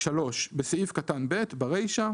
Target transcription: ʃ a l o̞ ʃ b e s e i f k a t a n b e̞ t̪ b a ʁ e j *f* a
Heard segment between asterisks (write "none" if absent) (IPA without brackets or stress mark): ʃ